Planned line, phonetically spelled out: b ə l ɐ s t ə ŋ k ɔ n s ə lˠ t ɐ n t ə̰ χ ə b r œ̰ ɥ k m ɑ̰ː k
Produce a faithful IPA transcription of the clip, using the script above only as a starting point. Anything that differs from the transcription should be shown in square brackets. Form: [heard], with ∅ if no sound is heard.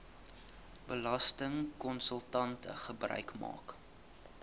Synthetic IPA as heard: b ə l ɐ s t ə ŋ k ɔ n s ə lˠ t ɐ n t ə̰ χ ə b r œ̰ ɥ k m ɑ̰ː k